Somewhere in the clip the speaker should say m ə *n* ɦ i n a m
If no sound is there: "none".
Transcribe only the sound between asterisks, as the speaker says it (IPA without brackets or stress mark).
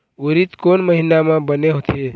none